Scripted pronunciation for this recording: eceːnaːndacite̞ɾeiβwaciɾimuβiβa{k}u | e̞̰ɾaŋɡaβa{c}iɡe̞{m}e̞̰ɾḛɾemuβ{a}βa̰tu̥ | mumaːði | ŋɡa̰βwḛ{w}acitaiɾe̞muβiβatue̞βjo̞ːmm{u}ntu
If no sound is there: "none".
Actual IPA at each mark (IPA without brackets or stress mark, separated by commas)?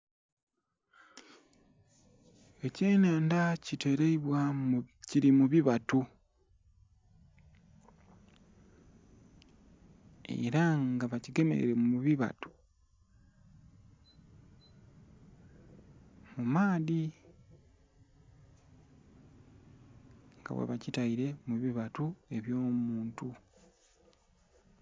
t, c, m, i, β, uː